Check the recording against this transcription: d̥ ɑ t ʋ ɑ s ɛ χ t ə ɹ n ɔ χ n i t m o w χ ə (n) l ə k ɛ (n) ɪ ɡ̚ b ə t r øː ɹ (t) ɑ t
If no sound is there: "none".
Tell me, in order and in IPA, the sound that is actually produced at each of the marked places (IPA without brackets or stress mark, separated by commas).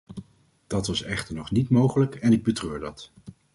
none, n, d